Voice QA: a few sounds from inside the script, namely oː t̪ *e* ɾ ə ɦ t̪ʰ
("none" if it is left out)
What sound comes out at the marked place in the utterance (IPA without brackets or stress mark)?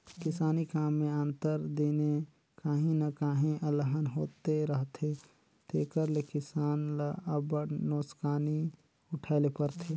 e